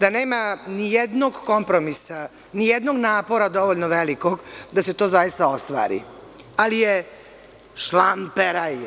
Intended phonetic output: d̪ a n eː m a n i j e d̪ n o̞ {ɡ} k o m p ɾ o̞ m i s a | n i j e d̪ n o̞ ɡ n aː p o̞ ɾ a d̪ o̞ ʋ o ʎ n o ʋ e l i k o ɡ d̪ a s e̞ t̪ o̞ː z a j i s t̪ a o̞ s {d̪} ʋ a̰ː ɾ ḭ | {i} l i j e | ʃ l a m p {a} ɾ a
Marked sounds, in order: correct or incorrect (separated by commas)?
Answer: correct, incorrect, incorrect, incorrect